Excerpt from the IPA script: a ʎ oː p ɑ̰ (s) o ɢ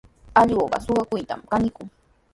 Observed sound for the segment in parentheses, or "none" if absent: s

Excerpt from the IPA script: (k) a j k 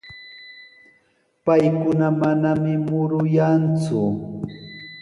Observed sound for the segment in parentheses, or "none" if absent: p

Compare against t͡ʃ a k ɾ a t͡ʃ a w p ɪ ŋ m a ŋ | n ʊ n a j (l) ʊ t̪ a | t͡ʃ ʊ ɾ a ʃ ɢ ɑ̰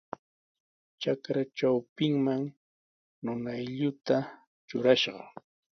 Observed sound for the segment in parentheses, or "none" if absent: ʎ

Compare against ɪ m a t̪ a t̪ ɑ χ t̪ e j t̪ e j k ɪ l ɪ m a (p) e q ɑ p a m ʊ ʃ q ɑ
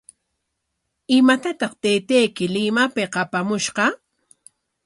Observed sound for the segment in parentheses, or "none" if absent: p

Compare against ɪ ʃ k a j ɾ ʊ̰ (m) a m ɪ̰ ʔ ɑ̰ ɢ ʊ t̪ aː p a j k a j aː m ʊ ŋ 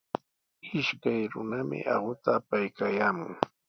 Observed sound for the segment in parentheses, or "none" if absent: n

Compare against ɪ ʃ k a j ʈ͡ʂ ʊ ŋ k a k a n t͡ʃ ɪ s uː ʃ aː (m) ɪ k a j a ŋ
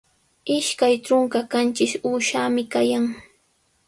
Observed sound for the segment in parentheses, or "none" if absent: m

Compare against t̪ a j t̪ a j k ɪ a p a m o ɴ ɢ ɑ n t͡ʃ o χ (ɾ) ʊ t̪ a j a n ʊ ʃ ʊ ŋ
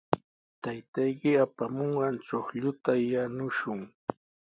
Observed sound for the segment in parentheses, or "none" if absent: ʎ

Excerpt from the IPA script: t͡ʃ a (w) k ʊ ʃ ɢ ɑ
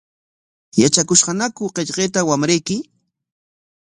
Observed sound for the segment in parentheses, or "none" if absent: none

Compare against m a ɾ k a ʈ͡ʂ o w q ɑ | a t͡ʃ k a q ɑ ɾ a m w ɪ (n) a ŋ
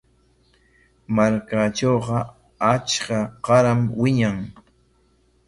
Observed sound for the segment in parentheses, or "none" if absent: ɲ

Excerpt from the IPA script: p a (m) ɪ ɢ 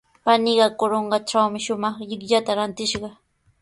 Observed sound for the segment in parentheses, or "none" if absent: n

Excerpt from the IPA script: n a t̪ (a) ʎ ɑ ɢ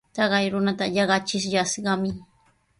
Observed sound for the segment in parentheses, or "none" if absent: a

